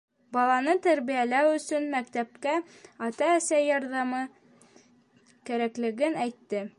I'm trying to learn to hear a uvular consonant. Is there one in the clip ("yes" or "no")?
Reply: no